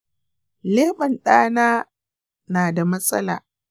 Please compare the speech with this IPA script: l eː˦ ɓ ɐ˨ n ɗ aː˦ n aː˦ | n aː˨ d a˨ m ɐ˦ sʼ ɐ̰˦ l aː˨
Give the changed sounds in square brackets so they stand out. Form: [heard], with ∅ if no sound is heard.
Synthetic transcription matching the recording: l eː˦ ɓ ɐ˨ n ɗ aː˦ n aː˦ | n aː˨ d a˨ m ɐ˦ sʼ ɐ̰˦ l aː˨